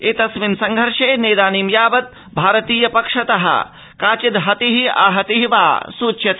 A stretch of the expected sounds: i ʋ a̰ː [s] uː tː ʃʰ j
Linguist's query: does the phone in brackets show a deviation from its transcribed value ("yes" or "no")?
no